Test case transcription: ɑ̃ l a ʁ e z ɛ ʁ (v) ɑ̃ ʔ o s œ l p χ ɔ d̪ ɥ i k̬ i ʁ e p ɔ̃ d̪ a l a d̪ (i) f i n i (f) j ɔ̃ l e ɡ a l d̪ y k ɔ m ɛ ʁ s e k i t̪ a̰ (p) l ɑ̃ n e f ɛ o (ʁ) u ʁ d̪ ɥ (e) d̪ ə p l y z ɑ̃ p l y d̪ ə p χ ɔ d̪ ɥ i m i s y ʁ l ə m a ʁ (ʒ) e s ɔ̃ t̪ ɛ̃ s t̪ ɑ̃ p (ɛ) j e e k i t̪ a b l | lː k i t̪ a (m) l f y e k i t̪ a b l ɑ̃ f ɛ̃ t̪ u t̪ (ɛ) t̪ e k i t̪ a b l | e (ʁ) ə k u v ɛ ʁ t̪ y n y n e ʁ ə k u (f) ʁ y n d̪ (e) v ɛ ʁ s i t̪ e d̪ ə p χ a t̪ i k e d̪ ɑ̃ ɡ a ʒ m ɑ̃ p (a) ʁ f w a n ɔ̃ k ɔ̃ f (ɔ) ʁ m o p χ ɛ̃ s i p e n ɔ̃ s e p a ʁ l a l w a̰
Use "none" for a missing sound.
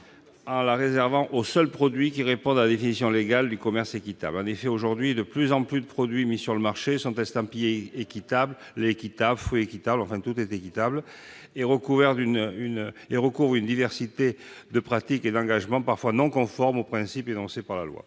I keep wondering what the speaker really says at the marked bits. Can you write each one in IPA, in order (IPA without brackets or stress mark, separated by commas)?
v, e, s, b, ʒ, i, ʃ, i, b, ɛ, ʁ, v, i, a, ɔ